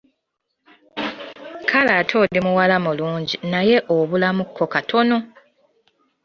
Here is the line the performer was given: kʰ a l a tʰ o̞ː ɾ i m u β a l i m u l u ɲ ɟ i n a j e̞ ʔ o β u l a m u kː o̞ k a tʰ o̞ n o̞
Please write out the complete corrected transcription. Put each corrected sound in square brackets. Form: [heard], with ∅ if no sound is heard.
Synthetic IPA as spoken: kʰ a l a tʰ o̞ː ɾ i m u [w] a l [a] m u l [uː] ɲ ɟ i n a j e̞ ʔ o β u l a m u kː o̞ k a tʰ o̞ n o̞

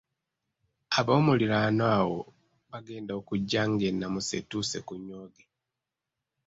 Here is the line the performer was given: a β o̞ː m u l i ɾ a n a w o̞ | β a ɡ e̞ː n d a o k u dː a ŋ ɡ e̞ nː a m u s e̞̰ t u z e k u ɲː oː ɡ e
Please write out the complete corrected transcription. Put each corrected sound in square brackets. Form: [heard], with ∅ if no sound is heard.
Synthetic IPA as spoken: a β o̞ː m u l i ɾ a n a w o̞ | β a ɡ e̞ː n d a o k u [ɟː] a ŋ ɡ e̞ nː a m u s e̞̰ t u [s] e k u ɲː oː ɡ e

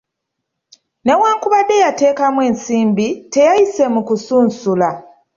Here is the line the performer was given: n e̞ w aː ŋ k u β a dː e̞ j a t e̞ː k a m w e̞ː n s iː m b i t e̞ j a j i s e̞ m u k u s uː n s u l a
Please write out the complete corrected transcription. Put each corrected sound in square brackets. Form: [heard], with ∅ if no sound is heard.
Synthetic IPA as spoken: n e̞ w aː ŋ k u β a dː e̞ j a t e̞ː k a m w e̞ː n s iː m b i t e̞ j a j i s e̞ m u k u s uː n s u l a

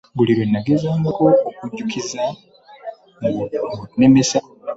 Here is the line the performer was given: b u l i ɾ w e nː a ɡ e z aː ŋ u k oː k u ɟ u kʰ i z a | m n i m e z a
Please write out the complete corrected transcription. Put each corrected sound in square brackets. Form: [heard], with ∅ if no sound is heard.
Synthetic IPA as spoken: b u l i ɾ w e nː a ɡ e z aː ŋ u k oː k u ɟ u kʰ i z a | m n [e] m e [s] a

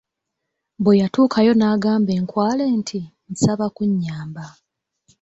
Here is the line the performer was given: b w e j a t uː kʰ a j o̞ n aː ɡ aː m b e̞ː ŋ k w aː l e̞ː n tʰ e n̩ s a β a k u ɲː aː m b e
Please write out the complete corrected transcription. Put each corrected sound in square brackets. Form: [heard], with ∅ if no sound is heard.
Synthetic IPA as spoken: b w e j a t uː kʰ a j o̞ n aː ɡ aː m b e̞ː ŋ k w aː l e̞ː n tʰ [i] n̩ s a β a k u ɲː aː m b [a]

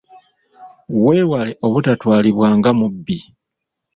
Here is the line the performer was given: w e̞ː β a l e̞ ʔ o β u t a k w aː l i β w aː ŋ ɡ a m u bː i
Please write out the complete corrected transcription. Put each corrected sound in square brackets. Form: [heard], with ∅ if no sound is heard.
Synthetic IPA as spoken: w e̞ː [w] a l e̞ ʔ o β u t a [t] w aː l i β w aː ŋ ɡ a m u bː i

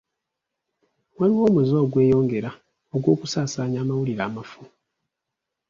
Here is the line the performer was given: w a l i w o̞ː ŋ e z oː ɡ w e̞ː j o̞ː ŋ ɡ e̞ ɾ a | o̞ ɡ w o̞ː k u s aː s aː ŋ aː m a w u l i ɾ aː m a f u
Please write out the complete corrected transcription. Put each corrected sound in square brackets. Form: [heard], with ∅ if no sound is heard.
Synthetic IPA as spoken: w a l i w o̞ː [m] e z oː ɡ w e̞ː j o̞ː ŋ ɡ e̞ ɾ a | o̞ ɡ w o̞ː k u s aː s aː [ɲ] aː m a w u l i ɾ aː m a f u

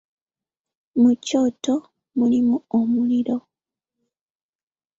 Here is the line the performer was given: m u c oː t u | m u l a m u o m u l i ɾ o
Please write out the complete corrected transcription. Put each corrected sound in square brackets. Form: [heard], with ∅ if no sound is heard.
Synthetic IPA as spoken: m u c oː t [o] | m u l [i] m u o m u l i ɾ o

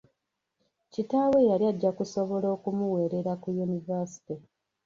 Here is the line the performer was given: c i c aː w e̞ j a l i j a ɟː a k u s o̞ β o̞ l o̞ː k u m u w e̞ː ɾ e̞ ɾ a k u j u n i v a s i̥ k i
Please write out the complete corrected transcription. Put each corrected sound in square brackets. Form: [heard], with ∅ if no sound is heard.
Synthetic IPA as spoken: c i [t] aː w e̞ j a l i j a ɟː a k u s o̞ β o̞ l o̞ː k u m u w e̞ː ɾ e̞ ɾ a k u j u n i v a s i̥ [t] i

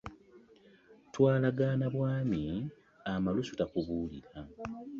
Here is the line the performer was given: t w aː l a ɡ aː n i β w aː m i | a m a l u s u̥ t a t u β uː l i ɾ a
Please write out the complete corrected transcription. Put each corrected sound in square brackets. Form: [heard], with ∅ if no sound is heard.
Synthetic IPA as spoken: t w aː l a ɡ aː n [a] β w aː m i | a m a l u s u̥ t a [k] u β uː l i ɾ a

